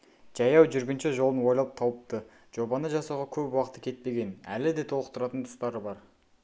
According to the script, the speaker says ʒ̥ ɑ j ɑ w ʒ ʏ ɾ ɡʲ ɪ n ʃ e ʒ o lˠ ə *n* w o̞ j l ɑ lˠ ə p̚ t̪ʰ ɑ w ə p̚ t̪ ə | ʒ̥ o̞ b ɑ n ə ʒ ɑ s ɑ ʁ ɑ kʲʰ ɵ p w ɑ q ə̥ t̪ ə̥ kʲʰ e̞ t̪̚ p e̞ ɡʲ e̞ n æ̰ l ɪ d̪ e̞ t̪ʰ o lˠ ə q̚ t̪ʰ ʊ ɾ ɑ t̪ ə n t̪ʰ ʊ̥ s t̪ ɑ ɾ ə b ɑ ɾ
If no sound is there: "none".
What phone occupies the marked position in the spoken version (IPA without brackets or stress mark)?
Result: n